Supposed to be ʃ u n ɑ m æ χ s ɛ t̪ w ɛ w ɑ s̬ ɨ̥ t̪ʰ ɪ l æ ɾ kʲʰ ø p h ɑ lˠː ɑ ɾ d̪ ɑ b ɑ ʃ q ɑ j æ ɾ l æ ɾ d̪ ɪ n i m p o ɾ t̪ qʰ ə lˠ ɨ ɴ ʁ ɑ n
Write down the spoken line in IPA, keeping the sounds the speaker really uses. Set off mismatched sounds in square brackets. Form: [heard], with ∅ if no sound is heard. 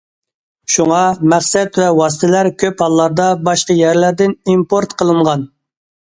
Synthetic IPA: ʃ u [ŋ] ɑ m æ χ s ɛ t̪ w ɛ w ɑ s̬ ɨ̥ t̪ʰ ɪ l æ ɾ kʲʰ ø p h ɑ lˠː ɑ ɾ d̪ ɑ b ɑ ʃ q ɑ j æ ɾ l æ ɾ d̪ ɪ n i m p o ɾ t̪ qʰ ə lˠ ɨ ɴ ʁ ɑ n